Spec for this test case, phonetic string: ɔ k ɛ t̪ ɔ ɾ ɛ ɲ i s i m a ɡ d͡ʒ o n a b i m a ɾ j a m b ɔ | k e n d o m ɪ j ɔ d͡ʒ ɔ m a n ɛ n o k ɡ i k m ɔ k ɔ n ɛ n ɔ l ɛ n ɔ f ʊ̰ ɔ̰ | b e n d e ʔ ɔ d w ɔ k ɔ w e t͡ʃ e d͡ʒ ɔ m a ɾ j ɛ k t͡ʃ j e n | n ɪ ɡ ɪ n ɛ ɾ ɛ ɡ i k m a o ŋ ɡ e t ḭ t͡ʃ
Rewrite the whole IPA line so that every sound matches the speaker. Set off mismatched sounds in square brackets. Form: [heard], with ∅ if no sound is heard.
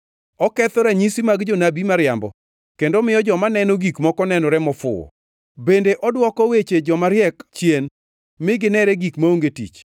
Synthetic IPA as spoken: ɔ k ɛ t̪ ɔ ɾ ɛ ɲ i s i m a ɡ d͡ʒ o n a b i m a ɾ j a m b ɔ | k e n d o m ɪ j ɔ d͡ʒ ɔ m a n ɛ n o [∅] ɡ i k m ɔ k ɔ n ɛ n ɔ [ɾ] ɛ [m] ɔ f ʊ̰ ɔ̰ | b e n d e ʔ ɔ d w ɔ k ɔ w e t͡ʃ e d͡ʒ ɔ m a ɾ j ɛ k t͡ʃ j e n | [m] ɪ ɡ ɪ n ɛ ɾ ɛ ɡ i k m a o ŋ ɡ e t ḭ t͡ʃ